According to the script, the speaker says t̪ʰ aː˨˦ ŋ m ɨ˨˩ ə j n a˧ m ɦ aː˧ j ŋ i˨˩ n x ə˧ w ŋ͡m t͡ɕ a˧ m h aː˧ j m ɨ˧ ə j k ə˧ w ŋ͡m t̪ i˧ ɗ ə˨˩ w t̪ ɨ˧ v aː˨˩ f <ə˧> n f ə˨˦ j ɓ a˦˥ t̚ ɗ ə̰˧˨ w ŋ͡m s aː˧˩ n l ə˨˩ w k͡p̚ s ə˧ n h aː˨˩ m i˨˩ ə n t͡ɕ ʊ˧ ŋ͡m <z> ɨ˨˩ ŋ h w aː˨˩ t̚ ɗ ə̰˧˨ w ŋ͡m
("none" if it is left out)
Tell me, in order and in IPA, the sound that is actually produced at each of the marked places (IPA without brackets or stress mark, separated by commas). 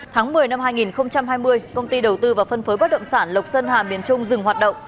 ə˧, z